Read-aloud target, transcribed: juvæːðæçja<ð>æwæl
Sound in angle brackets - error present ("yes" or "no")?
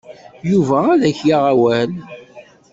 yes